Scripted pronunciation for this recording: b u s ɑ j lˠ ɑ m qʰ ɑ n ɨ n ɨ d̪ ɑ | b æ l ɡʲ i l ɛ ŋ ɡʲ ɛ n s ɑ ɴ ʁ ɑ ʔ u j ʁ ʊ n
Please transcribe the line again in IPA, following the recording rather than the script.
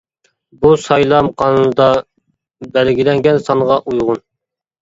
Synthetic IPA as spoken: b u s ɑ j lˠ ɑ m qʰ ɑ n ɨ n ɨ d̪ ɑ | b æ l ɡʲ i l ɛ ŋ ɡʲ ɛ n s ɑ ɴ ʁ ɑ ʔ u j ʁ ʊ n